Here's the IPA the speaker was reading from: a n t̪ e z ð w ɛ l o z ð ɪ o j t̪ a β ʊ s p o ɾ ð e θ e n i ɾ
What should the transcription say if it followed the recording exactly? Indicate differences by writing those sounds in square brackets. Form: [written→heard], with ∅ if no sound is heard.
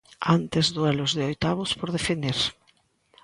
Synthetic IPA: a n t̪ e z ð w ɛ l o z ð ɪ o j t̪ a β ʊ s p o ɾ ð e [θ→f] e n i ɾ

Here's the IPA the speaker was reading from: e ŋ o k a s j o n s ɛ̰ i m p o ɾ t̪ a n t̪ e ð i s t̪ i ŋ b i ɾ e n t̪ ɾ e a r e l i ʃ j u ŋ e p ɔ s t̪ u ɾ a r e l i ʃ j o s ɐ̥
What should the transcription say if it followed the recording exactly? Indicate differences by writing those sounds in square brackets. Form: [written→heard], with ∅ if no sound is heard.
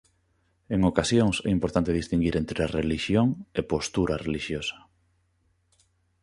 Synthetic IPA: e ŋ o k a s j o [n→ŋ] s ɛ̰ i m p o ɾ t̪ a n t̪ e ð i s t̪ i ŋ [b→ɡ] i ɾ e n t̪ ɾ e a r e l i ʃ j [u→o] ŋ e p [ɔ→o] s t̪ u ɾ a r e l i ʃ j o s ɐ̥

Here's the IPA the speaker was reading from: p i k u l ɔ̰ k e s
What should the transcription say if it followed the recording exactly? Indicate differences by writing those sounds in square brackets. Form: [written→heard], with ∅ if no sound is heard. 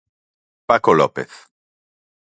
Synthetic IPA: p [i→a] k [u→o] l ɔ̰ [k→p] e [s→θ]

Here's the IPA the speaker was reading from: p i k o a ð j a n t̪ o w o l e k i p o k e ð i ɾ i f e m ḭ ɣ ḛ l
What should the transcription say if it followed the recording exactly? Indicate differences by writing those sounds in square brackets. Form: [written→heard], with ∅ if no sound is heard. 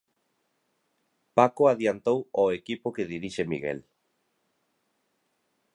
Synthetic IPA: p [i→a] k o a ð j a n t̪ o w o [l→∅] e k i p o k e ð i ɾ i [f→ʃ] e m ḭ ɣ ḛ l

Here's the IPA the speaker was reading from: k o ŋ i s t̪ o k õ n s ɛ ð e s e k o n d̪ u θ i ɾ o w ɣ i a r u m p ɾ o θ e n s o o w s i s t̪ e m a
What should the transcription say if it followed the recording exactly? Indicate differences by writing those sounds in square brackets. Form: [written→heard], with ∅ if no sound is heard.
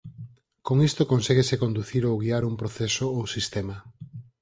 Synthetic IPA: k o ŋ i s t̪ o k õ n s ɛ [ð→ɣ] e s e k o n d̪ u θ i ɾ o w ɣ i a [r→ɾ] u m p ɾ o θ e [n→∅] s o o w s i s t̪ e m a

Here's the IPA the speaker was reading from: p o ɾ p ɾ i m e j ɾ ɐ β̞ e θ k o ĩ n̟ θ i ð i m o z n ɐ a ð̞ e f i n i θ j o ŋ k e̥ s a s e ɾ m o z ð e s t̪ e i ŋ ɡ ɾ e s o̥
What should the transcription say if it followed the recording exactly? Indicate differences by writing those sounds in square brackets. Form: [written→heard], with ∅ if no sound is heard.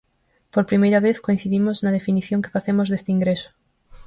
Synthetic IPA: p o ɾ p ɾ i m e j ɾ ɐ β̞ e θ k o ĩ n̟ θ i ð i m o z n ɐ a ð̞ e f i n i θ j o ŋ k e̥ [s→f] a [s→θ] e [ɾ→∅] m o z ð e s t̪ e i ŋ ɡ ɾ e s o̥

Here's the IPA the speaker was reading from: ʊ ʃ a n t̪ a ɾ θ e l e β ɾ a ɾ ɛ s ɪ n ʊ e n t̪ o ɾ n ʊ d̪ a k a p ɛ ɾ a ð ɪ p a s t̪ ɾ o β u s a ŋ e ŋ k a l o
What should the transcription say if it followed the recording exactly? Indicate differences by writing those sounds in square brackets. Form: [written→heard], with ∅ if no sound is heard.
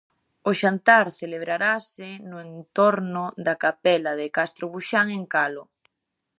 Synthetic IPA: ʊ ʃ a n t̪ a ɾ θ e l e β ɾ a ɾ [ɛ→a] s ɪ n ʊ e n t̪ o ɾ n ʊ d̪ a k a p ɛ [ɾ→l] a ð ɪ [p→k] a s t̪ ɾ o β u [s→ʃ] a ŋ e ŋ k a l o

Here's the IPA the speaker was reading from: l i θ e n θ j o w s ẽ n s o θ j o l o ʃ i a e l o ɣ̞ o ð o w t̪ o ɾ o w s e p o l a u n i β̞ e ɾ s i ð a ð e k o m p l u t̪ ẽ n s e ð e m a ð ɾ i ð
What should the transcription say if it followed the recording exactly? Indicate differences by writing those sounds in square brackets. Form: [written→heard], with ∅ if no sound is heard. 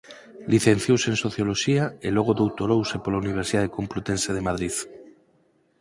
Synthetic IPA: l i θ e n θ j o w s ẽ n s o θ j o l o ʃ i a e l o ɣ̞ o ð o w t̪ o ɾ o w s e p o l a u n i β̞ e ɾ s i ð a ð e k o m p l u t̪ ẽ n s e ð e m a ð ɾ i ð

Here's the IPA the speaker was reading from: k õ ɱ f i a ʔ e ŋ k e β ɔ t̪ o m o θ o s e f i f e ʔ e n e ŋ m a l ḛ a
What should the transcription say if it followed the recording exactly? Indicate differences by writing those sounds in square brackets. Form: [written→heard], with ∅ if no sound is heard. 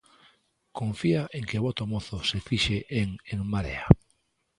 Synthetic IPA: k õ ɱ f i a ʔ e ŋ k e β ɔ t̪ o m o θ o s e f i [f→ʃ] e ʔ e [n→ŋ] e ŋ m a [l→ɾ] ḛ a

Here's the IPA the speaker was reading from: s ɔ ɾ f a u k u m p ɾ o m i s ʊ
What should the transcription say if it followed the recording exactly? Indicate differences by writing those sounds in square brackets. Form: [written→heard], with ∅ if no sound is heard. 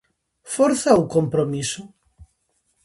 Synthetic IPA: [s→f] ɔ ɾ [f→θ] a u k [u→o] m p ɾ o m i s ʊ

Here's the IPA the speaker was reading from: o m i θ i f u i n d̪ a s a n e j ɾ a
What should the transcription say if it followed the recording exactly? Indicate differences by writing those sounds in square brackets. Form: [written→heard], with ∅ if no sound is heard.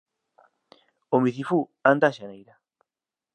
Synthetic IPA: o m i θ i f u [i→a] n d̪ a [s→ʃ] a n e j ɾ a

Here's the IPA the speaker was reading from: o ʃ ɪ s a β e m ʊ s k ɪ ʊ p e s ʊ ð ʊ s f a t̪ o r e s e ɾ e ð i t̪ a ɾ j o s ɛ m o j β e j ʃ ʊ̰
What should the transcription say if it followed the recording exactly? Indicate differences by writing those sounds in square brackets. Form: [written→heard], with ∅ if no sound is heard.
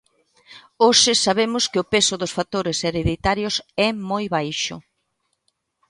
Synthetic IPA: o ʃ ɪ s a β e m ʊ s k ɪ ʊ p e s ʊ ð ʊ s f a t̪ o [r→ɾ] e s e ɾ e ð i t̪ a ɾ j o s ɛ m o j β [e→a] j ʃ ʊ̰

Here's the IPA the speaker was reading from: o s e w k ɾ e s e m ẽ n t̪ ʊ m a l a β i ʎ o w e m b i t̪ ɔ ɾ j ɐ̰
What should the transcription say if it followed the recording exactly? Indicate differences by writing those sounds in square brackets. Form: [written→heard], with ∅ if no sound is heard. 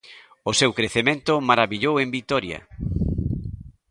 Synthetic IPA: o s e w k ɾ e [s→θ] e m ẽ n t̪ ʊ m a [l→ɾ] a β i ʎ o w e m b i t̪ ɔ ɾ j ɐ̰

